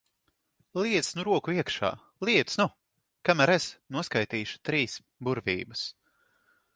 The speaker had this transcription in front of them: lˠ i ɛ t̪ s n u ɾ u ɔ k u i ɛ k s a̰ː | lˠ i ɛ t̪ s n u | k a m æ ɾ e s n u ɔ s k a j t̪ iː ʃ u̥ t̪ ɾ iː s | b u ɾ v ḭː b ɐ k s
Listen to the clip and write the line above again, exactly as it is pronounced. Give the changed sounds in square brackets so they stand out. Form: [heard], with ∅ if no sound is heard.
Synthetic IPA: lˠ i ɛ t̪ s n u ɾ u ɔ k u i ɛ k [ʃ] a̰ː | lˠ i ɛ t̪ s n u | k a m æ ɾ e s n u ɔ s k a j t̪ iː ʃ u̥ t̪ ɾ iː s | b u ɾ v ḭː b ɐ [∅] s